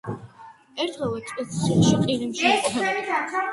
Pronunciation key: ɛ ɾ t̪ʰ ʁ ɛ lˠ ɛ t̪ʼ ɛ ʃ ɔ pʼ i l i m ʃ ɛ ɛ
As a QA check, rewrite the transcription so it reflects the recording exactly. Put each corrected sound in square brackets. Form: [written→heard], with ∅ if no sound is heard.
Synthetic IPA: ɛ ɾ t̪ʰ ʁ ɛ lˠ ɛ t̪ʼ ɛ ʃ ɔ [pʼ→qʼ] i [l→ɾ] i m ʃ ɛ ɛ